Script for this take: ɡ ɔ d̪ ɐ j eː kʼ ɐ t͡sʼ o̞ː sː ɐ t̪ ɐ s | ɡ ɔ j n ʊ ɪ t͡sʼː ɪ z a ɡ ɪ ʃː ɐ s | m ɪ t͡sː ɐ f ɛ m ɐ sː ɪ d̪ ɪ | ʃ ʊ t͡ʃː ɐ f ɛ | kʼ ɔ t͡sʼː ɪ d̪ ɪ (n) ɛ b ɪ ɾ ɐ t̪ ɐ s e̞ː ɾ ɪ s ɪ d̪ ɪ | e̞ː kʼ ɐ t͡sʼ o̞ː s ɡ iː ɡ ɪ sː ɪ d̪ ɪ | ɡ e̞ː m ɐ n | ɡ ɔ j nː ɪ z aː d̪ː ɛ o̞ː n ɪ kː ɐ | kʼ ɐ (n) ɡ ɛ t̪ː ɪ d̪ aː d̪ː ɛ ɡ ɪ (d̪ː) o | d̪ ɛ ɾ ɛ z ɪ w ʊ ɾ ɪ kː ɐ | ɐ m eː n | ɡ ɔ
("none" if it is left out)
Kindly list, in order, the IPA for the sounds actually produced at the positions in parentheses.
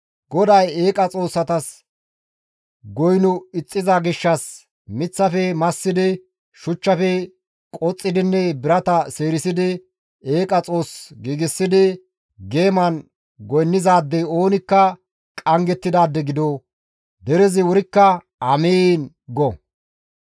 nː, ŋ, d̪

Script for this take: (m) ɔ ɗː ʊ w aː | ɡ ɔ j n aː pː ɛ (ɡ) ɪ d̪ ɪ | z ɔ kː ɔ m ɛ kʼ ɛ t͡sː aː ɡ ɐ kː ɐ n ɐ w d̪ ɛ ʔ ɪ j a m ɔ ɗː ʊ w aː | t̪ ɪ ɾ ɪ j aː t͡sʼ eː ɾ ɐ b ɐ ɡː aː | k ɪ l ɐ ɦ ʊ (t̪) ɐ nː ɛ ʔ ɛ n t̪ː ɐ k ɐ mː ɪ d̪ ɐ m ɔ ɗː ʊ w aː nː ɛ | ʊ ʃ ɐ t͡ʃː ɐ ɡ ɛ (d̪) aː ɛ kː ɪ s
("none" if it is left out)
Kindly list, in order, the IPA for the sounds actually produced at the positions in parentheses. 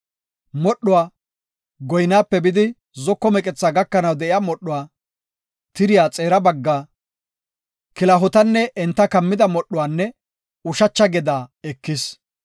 m, b, t̪, d̪

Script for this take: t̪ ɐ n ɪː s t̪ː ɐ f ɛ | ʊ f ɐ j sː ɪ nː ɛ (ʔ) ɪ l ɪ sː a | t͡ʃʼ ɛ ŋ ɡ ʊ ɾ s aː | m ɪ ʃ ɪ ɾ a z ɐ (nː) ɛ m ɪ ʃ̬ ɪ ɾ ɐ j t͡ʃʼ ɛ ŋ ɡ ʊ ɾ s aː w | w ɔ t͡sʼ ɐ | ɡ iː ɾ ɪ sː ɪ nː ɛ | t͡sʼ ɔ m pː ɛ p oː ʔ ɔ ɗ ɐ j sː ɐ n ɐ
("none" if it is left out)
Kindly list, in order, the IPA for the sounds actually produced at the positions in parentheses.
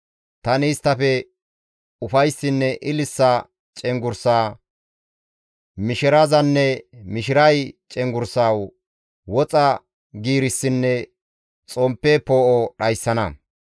ʔ, nː

